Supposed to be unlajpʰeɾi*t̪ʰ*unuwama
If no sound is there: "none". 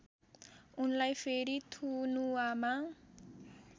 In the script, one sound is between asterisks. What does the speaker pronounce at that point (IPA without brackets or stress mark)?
t̪ʰ